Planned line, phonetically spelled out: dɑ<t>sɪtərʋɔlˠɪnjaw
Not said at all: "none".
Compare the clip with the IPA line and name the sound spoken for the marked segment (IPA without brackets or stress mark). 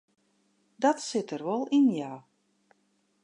t